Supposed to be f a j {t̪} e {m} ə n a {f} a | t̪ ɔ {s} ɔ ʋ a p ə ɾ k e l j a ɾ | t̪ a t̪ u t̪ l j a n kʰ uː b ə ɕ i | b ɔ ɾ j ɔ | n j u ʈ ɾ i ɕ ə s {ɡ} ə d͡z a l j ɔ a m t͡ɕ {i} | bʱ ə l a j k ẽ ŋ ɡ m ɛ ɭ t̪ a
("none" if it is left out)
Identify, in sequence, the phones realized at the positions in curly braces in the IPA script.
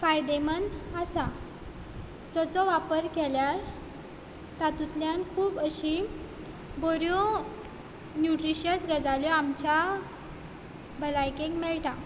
d̪, m, s, t͡s, ɡ, a

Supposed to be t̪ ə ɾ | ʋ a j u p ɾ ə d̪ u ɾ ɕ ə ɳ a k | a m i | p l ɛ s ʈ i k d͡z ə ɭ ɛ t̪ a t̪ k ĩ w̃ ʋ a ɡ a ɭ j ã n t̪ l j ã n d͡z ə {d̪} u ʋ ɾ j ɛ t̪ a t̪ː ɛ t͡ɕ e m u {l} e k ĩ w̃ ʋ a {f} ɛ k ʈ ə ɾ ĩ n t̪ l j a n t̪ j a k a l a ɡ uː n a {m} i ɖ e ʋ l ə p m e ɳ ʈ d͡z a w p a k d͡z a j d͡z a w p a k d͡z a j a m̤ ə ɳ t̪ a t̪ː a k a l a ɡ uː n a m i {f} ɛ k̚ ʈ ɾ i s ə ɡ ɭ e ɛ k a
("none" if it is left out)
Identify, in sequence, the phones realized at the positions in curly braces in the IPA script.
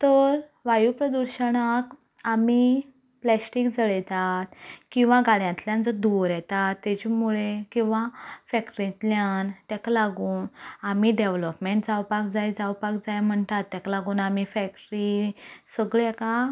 d̪, ɭ, f, m, f

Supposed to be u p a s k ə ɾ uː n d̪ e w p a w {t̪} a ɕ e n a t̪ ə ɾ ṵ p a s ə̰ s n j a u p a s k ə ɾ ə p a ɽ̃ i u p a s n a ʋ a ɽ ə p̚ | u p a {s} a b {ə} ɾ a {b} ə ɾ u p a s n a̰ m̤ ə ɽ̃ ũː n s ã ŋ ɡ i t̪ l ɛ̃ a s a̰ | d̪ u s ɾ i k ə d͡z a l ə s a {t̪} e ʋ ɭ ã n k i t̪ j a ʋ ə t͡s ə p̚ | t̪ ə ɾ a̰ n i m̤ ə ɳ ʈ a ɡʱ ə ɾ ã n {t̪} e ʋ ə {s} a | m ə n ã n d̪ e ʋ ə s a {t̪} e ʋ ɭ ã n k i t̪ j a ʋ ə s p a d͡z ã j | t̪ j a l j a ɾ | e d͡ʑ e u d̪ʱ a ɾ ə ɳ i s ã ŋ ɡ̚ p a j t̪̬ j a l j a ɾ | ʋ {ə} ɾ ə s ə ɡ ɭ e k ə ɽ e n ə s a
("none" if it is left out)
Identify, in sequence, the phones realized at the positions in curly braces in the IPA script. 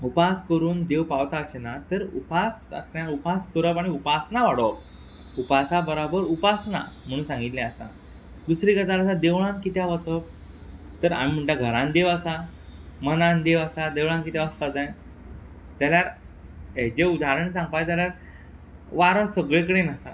t̪, s, ə, b, d̪, d̪, s, d̪, a

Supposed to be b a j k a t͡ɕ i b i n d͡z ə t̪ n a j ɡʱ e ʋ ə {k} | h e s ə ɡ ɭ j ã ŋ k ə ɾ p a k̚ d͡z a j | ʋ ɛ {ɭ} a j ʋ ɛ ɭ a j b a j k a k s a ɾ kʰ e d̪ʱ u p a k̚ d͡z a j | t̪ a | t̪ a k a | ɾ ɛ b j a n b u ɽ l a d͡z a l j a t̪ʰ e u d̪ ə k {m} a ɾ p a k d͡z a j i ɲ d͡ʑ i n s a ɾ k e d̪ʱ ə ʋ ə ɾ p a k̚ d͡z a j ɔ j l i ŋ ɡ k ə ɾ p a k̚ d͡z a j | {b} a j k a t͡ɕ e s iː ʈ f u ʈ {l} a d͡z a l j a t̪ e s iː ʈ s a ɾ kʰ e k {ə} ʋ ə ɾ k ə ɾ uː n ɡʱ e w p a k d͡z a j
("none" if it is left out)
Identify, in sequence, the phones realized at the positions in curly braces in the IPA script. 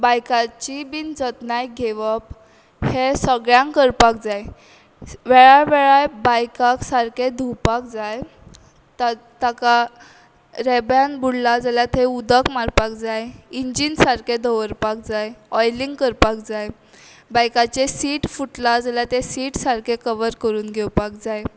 p, ɭ, m, b, l, ə

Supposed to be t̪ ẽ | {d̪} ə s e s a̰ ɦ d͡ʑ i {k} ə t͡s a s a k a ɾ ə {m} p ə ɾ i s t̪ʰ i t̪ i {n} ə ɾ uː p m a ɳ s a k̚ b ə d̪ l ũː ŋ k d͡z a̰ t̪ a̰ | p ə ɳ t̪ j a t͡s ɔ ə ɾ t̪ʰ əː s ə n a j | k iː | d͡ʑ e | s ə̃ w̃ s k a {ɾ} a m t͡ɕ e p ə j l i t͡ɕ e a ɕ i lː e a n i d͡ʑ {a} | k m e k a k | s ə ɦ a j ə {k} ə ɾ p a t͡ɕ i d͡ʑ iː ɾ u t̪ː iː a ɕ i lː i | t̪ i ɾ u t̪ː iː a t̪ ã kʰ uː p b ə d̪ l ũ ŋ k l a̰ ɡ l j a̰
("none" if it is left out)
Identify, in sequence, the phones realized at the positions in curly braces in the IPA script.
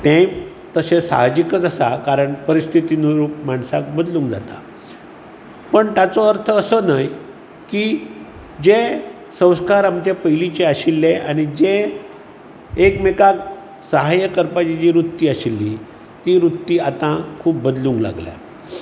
t̪, k, ɳ, n, ɾ, e, k

